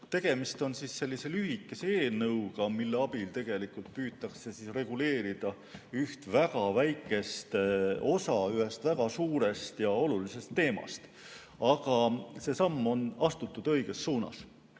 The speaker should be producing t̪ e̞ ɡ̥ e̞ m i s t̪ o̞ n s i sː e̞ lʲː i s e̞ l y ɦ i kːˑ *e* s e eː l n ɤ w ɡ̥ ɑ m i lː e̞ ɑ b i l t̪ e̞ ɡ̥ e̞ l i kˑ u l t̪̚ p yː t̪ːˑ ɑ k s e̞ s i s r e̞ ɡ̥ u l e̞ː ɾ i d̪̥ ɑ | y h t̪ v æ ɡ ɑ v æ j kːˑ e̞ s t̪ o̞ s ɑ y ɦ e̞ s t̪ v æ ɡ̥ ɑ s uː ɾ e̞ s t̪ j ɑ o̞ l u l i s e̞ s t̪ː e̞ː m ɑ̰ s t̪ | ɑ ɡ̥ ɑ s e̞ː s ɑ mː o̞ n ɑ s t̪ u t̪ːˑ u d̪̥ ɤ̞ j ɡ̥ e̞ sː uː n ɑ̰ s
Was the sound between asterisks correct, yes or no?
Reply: yes